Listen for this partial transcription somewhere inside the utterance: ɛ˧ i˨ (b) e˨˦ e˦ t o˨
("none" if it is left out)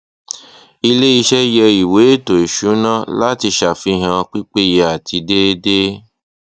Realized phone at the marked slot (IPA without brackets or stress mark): w